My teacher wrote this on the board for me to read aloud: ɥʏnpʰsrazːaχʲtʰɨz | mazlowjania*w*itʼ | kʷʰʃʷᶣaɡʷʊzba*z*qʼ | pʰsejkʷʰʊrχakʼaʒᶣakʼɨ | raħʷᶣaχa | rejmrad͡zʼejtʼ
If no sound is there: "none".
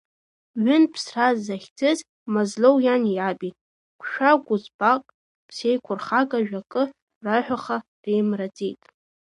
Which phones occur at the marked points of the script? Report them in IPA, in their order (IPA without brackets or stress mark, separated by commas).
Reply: b, none